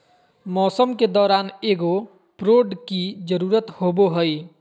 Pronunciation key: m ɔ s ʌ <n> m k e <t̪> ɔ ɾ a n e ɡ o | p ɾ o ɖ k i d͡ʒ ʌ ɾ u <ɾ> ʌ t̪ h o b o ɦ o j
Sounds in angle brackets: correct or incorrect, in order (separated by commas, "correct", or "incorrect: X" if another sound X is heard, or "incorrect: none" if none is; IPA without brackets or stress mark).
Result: incorrect: none, incorrect: d̪, correct